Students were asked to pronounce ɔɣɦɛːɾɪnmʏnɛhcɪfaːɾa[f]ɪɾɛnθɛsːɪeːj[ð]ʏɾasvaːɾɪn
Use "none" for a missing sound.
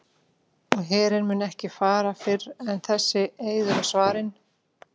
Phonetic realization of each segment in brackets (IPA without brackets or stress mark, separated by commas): f, ð